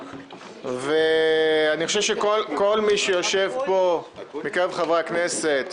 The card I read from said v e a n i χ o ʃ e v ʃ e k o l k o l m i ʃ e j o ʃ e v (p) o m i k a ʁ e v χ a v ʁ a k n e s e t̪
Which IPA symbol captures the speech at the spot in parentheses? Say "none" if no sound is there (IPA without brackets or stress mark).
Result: p